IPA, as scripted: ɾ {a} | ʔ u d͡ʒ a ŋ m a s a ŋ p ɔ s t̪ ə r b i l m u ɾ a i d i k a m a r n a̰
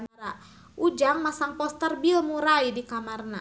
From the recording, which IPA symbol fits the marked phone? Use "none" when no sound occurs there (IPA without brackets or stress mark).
a